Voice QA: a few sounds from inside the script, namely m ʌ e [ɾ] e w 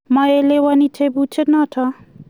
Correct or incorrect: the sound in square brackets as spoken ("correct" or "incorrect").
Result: incorrect